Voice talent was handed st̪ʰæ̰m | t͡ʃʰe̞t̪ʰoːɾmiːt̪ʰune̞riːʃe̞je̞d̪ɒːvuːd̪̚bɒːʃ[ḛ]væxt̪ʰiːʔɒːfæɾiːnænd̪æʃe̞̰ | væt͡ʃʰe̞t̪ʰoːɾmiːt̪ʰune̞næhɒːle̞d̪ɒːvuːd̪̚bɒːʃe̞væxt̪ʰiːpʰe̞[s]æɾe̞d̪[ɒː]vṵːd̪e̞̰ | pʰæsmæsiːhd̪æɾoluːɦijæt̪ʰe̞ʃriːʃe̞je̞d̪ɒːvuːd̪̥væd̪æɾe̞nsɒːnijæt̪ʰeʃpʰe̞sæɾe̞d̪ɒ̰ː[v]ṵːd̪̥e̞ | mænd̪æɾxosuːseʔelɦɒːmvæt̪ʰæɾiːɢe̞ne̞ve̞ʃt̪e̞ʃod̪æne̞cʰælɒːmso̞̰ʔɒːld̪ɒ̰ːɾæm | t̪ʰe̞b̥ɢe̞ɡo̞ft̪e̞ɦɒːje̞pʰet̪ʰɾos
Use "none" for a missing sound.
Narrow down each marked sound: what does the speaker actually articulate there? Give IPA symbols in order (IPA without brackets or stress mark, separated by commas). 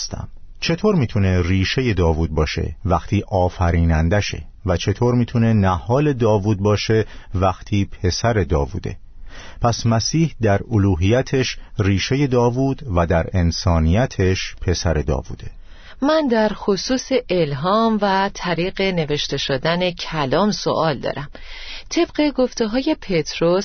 ḛ, s, ɒː, v